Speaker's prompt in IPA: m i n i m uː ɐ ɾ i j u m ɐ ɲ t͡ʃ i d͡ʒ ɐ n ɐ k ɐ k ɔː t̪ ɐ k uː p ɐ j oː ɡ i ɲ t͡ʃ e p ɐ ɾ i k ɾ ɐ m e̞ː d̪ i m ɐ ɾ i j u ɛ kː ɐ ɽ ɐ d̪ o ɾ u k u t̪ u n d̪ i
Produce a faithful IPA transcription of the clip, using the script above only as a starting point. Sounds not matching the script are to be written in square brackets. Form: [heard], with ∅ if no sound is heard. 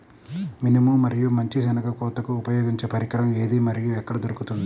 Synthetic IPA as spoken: m i n i m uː ɐ ɾ i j u m ɐ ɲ t͡ʃ i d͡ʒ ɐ n ɐ k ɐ k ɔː t̪ ɐ k uː p ɐ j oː ɡ i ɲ t͡ʃ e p ɐ ɾ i k ɾ ɐ m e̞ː d̪ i m ɐ ɾ i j u ɛ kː ɐ ɽ ɐ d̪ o ɾ u k u t̪ u n d̪ i